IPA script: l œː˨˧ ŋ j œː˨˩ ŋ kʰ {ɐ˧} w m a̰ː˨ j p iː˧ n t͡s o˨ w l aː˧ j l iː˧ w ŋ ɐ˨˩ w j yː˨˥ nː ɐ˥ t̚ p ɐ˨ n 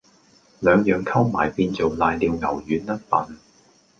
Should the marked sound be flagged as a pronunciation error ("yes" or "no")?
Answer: yes